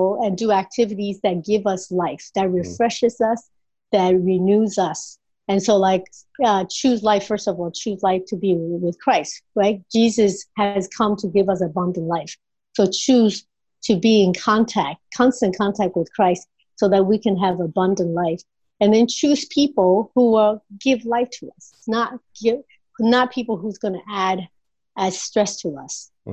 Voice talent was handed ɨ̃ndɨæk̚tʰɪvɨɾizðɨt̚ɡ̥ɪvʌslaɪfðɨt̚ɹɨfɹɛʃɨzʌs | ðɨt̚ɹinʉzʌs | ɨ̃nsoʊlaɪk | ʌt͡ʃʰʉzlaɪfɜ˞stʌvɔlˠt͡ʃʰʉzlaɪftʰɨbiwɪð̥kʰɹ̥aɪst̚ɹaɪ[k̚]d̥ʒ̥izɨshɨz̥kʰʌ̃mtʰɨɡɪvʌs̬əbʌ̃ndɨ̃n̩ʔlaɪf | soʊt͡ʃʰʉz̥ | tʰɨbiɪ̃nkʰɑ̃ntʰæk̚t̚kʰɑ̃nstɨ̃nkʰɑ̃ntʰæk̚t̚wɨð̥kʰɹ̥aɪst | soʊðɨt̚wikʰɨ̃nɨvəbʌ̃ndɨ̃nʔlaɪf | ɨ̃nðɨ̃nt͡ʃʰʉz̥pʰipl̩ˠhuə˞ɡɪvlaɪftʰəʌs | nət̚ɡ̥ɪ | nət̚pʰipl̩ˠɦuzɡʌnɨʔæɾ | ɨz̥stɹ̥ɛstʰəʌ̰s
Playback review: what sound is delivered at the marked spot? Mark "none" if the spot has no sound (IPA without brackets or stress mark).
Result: t̚